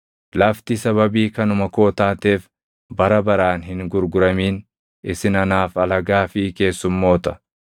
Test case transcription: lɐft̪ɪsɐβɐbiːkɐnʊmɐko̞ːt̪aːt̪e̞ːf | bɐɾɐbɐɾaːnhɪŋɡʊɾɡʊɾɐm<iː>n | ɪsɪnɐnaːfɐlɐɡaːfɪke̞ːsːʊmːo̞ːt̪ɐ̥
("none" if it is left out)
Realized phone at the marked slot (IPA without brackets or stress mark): iː